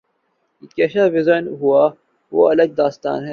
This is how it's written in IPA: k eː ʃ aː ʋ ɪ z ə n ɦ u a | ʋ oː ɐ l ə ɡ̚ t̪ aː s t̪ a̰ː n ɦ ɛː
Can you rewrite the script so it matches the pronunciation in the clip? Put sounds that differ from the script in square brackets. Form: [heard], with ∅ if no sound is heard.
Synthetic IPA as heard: k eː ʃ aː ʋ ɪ z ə n ɦ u a | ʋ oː ɐ l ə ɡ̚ [d̪] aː s t̪ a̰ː n ɦ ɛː

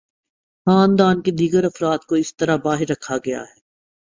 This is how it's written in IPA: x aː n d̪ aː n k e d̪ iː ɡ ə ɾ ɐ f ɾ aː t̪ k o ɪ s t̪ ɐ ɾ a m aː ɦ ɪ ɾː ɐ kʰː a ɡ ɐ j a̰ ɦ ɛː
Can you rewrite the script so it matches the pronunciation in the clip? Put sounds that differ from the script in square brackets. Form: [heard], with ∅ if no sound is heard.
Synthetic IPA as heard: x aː n d̪ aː n k e d̪ iː ɡ ə ɾ ɐ f ɾ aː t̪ k o ɪ s t̪ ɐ ɾ a [b] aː ɦ ɪ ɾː ɐ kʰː a ɡ ɐ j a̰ ɦ ɛː

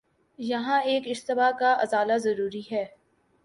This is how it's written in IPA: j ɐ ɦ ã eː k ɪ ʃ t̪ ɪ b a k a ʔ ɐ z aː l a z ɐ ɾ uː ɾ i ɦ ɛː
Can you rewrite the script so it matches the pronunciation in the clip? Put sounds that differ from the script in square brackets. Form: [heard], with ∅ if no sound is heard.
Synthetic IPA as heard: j ɐ ɦ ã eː k ɪ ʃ t̪ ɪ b a k a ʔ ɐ z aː l a z ɐ ɾ uː ɾ i ɦ ɛː

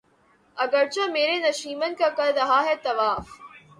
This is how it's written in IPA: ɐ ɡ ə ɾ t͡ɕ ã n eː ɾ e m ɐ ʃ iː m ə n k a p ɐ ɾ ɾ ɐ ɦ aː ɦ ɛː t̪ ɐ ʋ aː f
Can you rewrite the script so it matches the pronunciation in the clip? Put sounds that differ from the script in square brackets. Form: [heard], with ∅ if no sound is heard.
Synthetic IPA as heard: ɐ ɡ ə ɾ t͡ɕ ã [m] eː ɾ e [n] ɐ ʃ iː m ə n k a [k] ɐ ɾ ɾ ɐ ɦ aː ɦ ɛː t̪ ɐ ʋ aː f

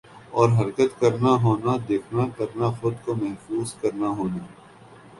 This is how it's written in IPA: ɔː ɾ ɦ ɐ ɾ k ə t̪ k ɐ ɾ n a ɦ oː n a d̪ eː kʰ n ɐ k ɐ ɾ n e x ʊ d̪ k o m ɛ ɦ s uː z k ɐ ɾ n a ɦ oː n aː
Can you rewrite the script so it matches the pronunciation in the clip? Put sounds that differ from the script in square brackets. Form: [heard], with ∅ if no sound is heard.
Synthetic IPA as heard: ɔː ɾ ɦ ɐ ɾ k ə t̪ k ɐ ɾ n a ɦ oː n a d̪ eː kʰ n [a] k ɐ ɾ n [a] x ʊ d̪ k o m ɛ ɦ [f] uː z k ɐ ɾ n a ɦ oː n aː

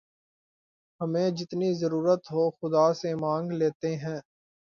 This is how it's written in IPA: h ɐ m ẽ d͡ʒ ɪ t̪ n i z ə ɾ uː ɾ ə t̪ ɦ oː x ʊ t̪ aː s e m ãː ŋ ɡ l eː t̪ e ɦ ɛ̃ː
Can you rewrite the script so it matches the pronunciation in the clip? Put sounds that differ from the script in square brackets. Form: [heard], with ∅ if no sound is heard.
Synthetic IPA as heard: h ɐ m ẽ d͡ʒ ɪ t̪ n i z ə ɾ uː ɾ ə t̪ ɦ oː x ʊ [d̪] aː s e m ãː ŋ ɡ l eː t̪ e ɦ ɛ̃ː

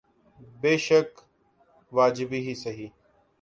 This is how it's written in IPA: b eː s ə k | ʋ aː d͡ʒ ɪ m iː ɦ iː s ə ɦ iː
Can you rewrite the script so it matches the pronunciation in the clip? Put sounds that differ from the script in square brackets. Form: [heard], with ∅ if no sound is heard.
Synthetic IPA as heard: b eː [ʃ] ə k | ʋ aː d͡ʒ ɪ [b] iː ɦ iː s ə ɦ iː

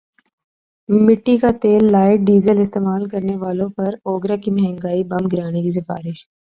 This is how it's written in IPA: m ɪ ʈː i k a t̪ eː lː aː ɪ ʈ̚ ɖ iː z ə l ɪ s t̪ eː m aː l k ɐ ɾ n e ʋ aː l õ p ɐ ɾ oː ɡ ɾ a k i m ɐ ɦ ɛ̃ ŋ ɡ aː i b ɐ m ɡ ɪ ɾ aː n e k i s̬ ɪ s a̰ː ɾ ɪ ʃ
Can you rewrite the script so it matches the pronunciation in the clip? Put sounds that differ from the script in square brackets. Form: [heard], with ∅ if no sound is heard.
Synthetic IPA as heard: m ɪ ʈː i k a t̪ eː lː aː ɪ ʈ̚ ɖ iː z ə l ɪ s t̪ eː m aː l k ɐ ɾ n e ʋ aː l õ p ɐ ɾ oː ɡ ɾ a k i m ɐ ɦ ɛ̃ ŋ ɡ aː i b ɐ m ɡ ɪ ɾ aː n e k i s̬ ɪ [f] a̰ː ɾ ɪ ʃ

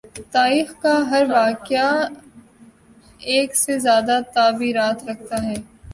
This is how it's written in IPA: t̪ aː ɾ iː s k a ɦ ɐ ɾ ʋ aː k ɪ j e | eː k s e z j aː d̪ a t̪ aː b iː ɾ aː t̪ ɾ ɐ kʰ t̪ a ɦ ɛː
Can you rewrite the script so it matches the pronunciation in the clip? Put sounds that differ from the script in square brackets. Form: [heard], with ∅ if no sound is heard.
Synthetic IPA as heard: t̪ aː ɾ iː [x] k a ɦ ɐ ɾ ʋ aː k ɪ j [a] | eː k s e z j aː d̪ a t̪ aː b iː ɾ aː t̪ ɾ ɐ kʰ t̪ a ɦ ɛː

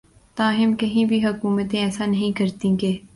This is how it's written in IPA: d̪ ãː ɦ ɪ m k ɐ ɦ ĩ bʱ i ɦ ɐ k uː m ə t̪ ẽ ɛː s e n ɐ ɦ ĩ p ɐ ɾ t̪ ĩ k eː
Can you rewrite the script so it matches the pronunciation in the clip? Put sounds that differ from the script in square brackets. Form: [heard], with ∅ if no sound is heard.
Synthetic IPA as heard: [t̪] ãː ɦ ɪ m k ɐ ɦ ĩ bʱ i ɦ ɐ k uː m ə t̪ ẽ ɛː s [a] n ɐ ɦ ĩ [k] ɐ ɾ t̪ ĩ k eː

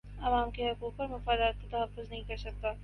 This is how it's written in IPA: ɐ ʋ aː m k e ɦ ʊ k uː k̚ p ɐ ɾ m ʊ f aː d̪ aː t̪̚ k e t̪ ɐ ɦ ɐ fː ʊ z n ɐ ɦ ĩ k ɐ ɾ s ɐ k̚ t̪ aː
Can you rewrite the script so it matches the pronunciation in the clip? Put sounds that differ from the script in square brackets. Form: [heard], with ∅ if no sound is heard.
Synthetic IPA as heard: ɐ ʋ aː m k e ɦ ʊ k uː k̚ p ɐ ɾ m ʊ f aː d̪ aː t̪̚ k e t̪ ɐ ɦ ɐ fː ʊ z n ɐ ɦ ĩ k ɐ ɾ s ɐ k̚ t̪ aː

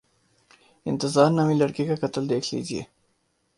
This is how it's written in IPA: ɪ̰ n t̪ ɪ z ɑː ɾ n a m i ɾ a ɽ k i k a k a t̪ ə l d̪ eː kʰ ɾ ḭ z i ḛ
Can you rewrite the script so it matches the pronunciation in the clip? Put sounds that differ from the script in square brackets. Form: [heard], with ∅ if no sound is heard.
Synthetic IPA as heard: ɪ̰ n t̪ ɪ z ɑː ɾ n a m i [l] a ɽ k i k a k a t̪ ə l d̪ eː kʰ [l] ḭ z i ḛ

